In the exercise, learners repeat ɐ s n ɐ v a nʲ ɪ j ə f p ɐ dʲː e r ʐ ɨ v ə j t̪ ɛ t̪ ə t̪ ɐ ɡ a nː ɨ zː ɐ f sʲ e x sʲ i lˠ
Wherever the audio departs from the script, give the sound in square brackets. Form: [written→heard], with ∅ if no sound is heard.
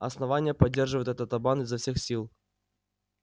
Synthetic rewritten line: ɐ s n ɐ v a nʲ ɪ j ə [f→∅] p ɐ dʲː e r ʐ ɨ v ə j t̪ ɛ t̪ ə t̪ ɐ [ɡ→b] a [nː→n] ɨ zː ɐ f sʲ e x sʲ i lˠ